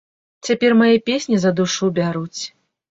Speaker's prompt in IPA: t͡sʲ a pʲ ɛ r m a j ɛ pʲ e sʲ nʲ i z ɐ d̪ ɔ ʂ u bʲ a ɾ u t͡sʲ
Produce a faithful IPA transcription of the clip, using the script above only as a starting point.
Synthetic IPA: t͡sʲ a pʲ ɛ r m a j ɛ pʲ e sʲ nʲ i z ɐ d̪ u ʂ u bʲ a ɾ u t͡sʲ